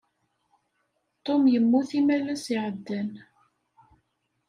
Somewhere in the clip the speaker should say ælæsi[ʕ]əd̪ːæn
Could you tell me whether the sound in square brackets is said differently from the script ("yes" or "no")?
no